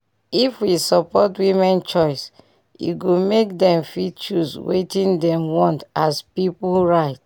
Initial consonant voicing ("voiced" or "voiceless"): voiceless